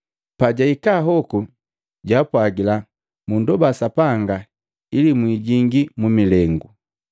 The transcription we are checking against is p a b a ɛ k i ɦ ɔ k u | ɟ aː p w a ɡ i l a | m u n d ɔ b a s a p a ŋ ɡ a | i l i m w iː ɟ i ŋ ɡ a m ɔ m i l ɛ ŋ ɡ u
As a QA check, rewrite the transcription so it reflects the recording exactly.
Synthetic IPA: p a ɟ a i k a ɦ ɔ k u | ɟ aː p w a ɡ i l a | m u n d ɔ b a s a p a ŋ ɡ a | i l i m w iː ɟ i ŋ ɡ i m u m i l ɛ ŋ ɡ u